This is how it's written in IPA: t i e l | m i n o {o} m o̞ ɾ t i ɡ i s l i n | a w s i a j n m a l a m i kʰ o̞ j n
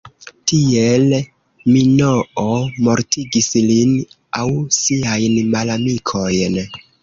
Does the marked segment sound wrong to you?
no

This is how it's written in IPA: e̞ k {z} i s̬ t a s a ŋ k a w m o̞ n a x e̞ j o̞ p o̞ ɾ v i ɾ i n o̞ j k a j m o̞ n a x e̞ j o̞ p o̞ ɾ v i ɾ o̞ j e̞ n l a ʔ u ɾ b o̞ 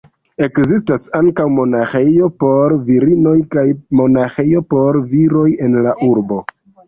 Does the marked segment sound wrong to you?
no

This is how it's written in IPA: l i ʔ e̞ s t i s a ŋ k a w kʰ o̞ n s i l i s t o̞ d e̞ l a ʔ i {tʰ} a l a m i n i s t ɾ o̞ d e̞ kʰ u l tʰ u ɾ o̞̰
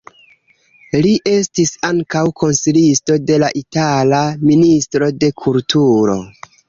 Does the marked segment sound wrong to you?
yes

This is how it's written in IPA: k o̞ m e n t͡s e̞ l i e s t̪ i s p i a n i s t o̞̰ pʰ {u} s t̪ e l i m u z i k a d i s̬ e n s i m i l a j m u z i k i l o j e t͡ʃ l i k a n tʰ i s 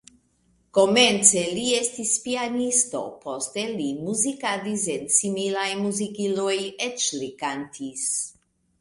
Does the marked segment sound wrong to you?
yes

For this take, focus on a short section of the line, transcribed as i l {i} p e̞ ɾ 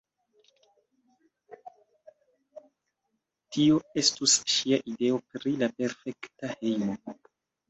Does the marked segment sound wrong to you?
yes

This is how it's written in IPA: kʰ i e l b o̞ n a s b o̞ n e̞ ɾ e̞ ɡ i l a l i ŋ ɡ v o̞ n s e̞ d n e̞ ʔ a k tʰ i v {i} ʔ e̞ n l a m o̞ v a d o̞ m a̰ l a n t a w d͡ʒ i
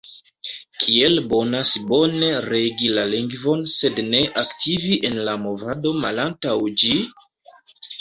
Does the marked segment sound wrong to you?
no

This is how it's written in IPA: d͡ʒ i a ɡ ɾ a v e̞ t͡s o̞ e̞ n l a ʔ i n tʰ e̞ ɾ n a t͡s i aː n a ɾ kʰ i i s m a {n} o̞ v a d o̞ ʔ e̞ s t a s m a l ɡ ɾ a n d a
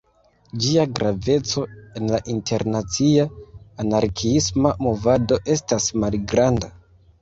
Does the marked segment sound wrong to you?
yes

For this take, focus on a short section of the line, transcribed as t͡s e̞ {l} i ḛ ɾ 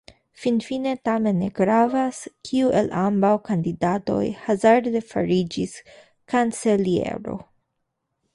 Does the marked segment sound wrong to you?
no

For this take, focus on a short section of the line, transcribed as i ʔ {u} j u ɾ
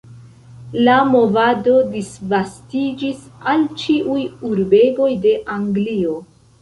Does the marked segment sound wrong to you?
no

